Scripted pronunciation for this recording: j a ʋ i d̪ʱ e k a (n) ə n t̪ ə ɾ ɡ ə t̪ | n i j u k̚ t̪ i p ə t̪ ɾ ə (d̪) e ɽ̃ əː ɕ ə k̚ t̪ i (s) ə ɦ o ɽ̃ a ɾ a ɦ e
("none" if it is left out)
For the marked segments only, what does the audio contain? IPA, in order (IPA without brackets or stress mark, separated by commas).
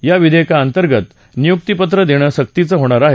none, d̪, t͡s